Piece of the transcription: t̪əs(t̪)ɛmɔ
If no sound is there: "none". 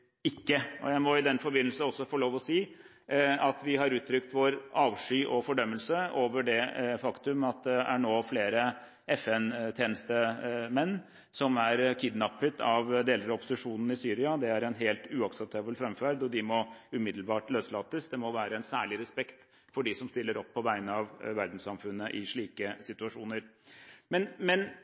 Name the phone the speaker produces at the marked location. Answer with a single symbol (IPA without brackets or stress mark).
d̪